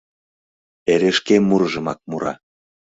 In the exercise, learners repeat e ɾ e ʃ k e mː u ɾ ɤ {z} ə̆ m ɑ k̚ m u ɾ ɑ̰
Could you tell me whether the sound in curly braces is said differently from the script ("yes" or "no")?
yes